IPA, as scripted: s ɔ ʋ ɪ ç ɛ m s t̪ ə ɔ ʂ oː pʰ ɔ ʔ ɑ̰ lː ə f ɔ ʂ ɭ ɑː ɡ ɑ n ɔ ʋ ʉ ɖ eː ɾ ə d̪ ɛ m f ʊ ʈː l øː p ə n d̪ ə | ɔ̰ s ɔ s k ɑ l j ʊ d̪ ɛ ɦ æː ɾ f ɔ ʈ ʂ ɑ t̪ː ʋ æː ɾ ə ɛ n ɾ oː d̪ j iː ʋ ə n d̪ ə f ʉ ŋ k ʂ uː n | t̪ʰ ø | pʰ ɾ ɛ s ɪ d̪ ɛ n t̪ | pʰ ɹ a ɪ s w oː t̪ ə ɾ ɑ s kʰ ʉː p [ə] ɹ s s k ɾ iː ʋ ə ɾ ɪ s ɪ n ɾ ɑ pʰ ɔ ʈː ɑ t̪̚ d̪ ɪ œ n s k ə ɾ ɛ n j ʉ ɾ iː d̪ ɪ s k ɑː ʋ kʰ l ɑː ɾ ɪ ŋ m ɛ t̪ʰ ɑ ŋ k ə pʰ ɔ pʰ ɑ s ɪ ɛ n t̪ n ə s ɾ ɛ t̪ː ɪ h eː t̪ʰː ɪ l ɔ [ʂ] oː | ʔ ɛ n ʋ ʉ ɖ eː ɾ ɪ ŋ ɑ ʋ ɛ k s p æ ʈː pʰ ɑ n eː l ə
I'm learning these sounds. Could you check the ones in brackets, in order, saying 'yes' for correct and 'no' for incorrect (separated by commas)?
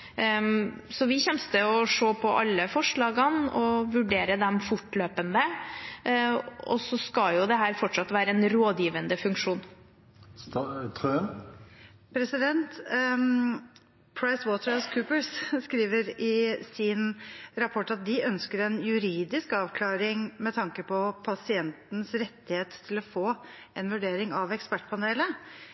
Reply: yes, no